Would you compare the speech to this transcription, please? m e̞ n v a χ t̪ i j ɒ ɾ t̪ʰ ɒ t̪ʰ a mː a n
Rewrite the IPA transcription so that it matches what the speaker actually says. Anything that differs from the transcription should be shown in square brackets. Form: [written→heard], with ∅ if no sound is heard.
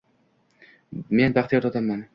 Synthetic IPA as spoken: m e̞ n [v→b] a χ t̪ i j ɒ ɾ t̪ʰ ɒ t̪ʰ a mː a n